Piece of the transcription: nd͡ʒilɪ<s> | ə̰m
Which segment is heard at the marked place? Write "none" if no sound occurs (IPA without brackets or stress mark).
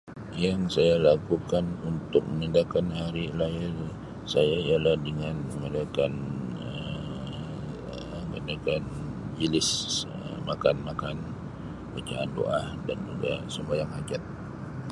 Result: s